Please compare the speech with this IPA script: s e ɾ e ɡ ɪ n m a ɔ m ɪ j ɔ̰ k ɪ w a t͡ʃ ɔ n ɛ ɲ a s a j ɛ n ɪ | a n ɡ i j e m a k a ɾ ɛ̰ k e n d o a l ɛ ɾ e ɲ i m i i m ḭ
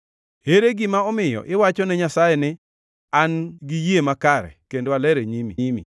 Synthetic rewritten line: h e ɾ e ɡ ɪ m a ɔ m ɪ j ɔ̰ ʔ ɪ w a t͡ʃ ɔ n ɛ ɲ a s a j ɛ n ɪ | a n ɡ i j e m a k a ɾ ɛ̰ k e n d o a l ɛ ɾ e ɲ i m i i m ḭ